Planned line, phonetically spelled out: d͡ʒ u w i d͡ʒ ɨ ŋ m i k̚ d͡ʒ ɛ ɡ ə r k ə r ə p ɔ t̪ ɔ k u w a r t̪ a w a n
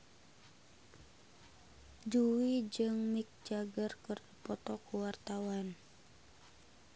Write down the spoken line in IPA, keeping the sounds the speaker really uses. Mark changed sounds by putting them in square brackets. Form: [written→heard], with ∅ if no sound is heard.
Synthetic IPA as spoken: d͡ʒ u w i d͡ʒ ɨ ŋ m i k̚ d͡ʒ [ɛ→a] ɡ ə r k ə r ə p ɔ t̪ ɔ k u w a r t̪ a w a n